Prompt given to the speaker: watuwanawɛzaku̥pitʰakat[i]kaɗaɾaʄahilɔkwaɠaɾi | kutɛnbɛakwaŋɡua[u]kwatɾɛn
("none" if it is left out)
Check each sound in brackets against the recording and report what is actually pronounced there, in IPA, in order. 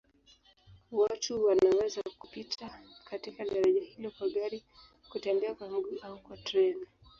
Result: i, u

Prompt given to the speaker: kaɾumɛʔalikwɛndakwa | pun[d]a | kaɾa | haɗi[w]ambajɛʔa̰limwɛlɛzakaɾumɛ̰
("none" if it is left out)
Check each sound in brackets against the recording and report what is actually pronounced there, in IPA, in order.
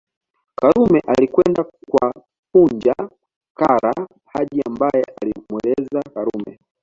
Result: d͡ʒ, none

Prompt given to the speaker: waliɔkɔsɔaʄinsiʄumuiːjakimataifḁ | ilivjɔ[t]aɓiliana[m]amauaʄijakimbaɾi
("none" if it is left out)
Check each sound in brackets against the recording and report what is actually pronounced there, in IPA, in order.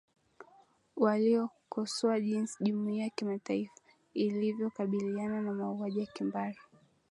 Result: k, n

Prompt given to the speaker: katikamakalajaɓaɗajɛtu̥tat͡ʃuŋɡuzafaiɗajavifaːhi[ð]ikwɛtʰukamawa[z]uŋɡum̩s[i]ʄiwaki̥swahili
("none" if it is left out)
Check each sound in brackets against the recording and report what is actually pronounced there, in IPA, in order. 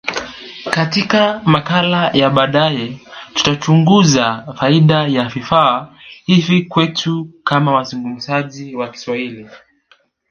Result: v, z, a

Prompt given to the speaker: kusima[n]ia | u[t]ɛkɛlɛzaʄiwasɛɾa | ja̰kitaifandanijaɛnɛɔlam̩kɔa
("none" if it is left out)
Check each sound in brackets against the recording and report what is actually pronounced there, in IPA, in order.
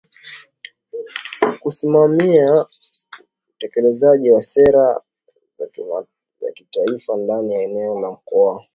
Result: m, t

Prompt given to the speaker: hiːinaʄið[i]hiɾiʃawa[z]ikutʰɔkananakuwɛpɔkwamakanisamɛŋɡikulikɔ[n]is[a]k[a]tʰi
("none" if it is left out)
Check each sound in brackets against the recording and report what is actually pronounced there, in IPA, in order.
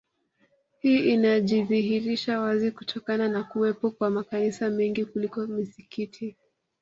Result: i, z, m, i, i

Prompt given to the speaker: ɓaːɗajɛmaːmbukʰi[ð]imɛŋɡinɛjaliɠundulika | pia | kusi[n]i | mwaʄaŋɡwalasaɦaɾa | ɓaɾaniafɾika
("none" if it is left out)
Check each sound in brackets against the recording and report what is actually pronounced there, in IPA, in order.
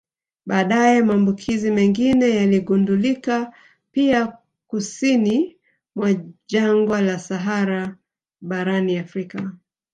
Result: z, n

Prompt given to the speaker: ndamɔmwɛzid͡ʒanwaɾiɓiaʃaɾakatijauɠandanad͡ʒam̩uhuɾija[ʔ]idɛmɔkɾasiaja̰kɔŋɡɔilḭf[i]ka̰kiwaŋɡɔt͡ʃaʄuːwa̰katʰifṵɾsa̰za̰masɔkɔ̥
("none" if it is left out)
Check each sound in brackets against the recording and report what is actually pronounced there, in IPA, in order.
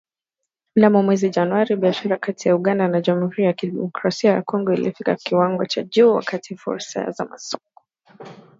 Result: k, i

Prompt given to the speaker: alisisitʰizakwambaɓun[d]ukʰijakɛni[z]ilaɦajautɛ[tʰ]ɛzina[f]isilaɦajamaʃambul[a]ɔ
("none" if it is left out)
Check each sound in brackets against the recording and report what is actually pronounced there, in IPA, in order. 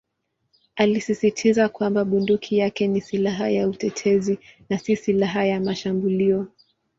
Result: d, s, tʰ, s, i

